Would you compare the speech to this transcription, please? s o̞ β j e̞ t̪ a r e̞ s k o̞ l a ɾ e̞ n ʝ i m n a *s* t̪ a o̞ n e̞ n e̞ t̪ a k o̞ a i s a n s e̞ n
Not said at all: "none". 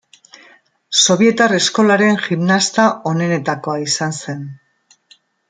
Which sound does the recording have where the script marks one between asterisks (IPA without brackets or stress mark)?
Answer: s